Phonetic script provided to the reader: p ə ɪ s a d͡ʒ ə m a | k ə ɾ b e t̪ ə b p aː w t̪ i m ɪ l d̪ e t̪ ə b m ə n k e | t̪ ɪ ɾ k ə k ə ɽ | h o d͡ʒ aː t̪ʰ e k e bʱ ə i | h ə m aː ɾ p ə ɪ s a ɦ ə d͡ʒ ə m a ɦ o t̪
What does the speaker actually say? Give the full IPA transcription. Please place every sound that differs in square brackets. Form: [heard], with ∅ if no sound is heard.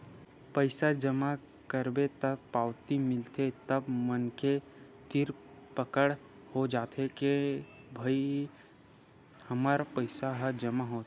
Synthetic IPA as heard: p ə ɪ s a d͡ʒ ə m a | k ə ɾ b e t̪ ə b p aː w t̪ i m ɪ l [t̪] e t̪ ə b m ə n k e | t̪ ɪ ɾ [p] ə k ə ɽ | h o d͡ʒ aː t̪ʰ e k e bʱ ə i | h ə m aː ɾ p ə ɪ s a ɦ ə d͡ʒ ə m a ɦ o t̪